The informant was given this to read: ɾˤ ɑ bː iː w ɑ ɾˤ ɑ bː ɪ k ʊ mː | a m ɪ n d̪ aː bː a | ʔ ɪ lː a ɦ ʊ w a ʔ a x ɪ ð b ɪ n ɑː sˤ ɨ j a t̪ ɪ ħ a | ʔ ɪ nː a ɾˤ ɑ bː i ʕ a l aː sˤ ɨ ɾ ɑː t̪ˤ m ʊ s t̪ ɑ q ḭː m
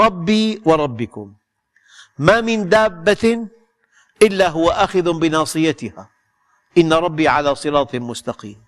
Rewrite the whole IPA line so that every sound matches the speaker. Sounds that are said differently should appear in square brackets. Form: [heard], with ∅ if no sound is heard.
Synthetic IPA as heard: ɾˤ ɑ bː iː w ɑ ɾˤ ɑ bː ɪ k ʊ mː | a m ɪ n d̪ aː bː a | ʔ ɪ lː a ɦ ʊ w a ʔ a x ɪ ð b ɪ n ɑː sˤ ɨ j a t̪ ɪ [h] a | ʔ ɪ nː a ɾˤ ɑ bː i ʕ a l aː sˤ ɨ ɾ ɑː t̪ˤ m ʊ s t̪ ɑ q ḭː m